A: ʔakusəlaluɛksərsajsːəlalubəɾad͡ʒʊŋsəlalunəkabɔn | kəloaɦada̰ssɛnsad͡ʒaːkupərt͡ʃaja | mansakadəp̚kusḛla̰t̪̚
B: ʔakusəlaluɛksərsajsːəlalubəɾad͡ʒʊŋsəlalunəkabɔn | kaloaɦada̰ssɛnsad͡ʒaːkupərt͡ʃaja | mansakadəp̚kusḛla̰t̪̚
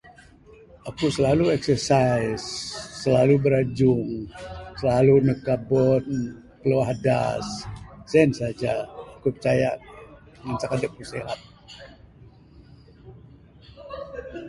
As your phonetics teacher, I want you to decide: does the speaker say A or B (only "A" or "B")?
A